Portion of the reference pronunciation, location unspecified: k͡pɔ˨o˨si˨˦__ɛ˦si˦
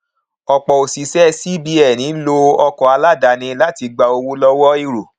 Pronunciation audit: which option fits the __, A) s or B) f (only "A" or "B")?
A